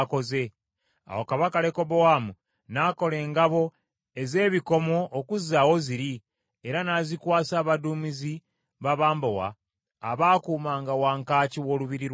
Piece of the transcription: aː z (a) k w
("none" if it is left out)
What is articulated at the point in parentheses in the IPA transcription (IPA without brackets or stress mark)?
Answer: i